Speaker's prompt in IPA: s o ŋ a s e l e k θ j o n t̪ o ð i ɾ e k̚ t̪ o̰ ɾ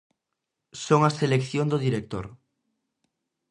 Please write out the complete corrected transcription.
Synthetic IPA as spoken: s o ŋ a s e l e k θ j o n d̪ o ð i ɾ e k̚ t̪ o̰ ɾ